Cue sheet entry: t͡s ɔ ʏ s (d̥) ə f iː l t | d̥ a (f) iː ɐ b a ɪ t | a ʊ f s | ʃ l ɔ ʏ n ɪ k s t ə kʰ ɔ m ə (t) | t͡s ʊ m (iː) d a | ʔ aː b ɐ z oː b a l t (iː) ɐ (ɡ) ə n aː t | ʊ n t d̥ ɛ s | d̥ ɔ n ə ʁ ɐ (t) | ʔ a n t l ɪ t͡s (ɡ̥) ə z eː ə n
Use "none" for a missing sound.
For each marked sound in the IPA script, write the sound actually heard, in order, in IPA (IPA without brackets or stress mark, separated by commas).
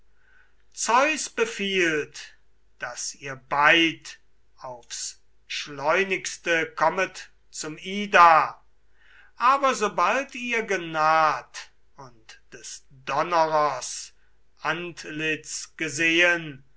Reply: b̥, s, t, iː, iː, ɡ, s, ɡ̥